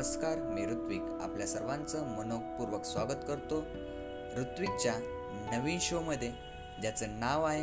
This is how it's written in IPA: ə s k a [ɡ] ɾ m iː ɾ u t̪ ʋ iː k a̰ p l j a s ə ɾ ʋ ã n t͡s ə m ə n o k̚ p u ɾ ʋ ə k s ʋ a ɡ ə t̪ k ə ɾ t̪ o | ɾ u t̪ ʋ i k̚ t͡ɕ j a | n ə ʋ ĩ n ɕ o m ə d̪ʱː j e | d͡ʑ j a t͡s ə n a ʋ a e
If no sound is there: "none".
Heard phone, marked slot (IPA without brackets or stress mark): none